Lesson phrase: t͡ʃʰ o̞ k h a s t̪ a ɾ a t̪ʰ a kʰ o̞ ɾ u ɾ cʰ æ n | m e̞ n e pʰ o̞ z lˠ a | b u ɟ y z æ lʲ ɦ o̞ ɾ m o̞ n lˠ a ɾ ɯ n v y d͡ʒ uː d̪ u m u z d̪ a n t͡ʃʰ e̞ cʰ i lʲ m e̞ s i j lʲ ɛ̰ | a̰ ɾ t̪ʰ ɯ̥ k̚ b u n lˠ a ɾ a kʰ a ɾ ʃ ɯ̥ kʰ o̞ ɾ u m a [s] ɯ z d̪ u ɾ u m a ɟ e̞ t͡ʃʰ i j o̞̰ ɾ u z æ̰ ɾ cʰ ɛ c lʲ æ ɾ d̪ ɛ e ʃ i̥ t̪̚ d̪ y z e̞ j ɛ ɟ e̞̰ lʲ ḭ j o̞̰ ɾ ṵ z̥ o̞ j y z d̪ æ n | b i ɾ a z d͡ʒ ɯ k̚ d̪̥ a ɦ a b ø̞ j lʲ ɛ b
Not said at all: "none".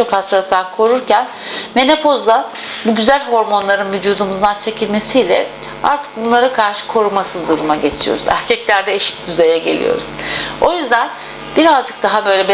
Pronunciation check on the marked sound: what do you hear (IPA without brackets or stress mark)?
s